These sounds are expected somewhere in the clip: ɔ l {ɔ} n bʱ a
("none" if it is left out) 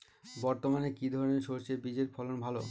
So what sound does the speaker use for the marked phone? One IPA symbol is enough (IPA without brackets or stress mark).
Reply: o